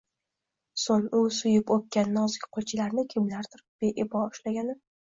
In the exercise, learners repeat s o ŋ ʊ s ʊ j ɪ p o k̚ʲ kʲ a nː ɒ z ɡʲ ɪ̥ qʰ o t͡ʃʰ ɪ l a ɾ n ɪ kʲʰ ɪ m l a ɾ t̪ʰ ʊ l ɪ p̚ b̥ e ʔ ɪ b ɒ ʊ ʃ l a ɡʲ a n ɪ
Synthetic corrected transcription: s o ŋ ʊ s ʊ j ɪ p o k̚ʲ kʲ a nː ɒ z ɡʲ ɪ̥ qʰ o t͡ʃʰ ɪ l a ɾ n ɪ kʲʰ ɪ m l a ɾ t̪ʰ ʊ ɾ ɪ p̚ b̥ e ʔ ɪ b ɒ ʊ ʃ l a ɡʲ a n ɪ